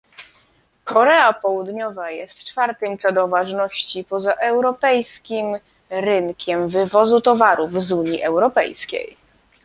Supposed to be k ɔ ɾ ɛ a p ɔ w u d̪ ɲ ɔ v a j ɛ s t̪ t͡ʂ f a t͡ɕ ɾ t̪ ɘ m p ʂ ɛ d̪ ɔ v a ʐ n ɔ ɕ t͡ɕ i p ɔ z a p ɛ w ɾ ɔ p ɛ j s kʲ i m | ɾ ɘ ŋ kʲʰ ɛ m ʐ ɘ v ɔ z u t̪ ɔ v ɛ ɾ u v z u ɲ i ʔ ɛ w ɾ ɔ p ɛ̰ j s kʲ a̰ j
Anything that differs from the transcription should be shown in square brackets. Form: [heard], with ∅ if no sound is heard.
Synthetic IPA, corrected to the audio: k ɔ ɾ ɛ a p ɔ w u d̪ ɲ ɔ v a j ɛ s t̪ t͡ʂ f a [∅] ɾ t̪ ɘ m p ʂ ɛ d̪ ɔ v a ʐ n ɔ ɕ t͡ɕ i p ɔ z a [ʔ] ɛ w ɾ ɔ p ɛ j s kʲ i m | ɾ ɘ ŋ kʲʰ ɛ m [v] ɘ v ɔ z u t̪ ɔ v [a] ɾ u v z u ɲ i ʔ ɛ w ɾ ɔ p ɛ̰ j s kʲ [ḛ] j